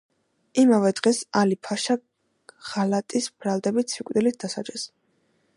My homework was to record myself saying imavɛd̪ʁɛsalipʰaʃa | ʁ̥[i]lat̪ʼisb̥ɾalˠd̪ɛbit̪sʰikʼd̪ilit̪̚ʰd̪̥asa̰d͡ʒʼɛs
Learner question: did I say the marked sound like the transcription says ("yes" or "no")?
no